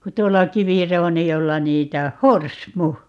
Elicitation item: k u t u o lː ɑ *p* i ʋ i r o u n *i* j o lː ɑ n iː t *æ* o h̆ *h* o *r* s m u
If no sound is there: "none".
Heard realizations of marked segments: k, i, æ, h, r

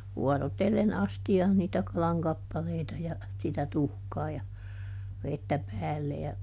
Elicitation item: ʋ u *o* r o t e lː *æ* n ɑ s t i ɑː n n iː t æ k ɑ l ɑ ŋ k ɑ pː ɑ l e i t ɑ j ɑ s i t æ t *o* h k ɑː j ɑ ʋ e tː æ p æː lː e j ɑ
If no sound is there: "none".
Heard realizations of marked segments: ɔ, e, u

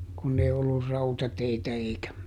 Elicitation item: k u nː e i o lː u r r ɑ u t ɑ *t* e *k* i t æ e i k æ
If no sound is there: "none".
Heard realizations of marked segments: t, none

